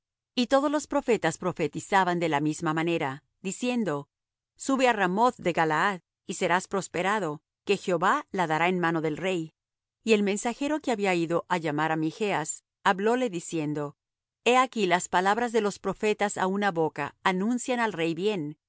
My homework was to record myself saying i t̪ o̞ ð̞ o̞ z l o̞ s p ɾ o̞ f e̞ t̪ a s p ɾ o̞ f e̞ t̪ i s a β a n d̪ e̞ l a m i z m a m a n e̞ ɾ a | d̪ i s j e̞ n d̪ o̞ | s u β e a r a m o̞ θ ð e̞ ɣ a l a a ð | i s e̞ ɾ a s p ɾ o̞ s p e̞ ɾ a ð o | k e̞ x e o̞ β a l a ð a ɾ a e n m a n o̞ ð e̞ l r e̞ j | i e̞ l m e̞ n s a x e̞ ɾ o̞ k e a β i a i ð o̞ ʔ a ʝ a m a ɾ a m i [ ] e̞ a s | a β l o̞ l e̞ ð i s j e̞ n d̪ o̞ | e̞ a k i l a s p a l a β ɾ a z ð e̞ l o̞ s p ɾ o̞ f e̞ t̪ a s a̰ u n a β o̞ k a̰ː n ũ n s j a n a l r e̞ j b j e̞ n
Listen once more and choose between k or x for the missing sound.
x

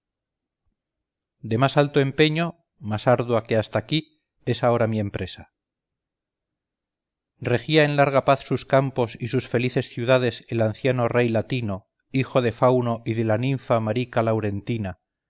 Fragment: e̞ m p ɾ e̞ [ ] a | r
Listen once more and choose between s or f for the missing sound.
s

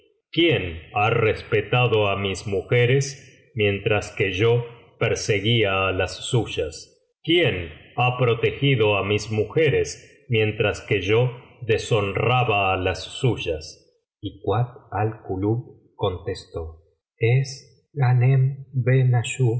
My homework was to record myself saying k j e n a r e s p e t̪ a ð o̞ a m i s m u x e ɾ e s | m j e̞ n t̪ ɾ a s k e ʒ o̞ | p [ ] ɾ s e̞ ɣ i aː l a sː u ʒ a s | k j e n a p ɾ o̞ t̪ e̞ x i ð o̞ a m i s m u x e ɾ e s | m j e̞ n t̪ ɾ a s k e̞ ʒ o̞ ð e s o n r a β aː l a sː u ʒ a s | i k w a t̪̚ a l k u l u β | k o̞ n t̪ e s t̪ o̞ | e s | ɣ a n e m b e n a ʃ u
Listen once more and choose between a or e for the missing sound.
e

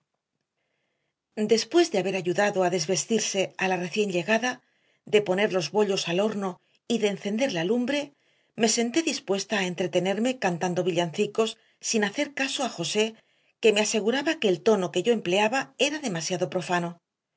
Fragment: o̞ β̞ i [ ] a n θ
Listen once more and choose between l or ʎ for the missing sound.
ʎ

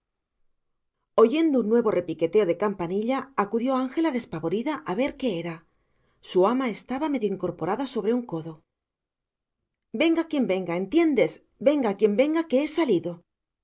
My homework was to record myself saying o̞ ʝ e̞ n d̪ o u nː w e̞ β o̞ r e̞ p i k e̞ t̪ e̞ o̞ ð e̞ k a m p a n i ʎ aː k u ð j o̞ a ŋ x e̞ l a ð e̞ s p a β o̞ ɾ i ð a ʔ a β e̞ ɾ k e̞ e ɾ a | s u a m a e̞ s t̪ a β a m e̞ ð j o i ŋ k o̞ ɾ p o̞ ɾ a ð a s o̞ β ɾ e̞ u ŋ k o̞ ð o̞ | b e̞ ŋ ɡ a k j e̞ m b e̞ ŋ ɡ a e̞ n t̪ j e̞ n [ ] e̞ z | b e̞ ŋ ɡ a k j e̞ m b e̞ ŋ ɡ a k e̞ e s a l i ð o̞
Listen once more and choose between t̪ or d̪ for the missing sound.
d̪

